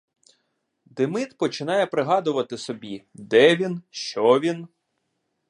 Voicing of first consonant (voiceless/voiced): voiced